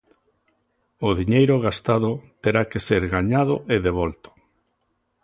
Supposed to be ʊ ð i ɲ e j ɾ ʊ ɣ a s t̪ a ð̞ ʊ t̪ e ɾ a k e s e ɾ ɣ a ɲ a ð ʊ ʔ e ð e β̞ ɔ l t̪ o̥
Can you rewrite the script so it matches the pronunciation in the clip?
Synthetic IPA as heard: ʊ ð i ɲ e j ɾ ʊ ɣ a s t̪ a ð̞ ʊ t̪ e ɾ a k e s e ɾ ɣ a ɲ a ð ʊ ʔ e ð e β̞ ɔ l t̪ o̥